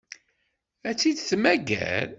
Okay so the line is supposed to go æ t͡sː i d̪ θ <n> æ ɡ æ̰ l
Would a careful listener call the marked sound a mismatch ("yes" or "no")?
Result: yes